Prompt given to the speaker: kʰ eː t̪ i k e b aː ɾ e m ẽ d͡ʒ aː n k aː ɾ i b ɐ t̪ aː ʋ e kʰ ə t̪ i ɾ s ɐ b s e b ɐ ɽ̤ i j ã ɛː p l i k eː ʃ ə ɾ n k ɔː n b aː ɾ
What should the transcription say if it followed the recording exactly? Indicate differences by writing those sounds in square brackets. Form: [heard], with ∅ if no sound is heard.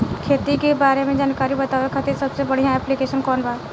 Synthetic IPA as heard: kʰ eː t̪ i k e b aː ɾ e m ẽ d͡ʒ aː n k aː ɾ i b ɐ t̪ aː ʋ e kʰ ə t̪ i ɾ s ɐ b s e b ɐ ɽ̤ i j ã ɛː p l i k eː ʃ ə [∅] n k ɔː n b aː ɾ